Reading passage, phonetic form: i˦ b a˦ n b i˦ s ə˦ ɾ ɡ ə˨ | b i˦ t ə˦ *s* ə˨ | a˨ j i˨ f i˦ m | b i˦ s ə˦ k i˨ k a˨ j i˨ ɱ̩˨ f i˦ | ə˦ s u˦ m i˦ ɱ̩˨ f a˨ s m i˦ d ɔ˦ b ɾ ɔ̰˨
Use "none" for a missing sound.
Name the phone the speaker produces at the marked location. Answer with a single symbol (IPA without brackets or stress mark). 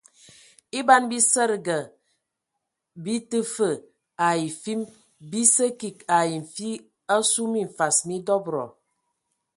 f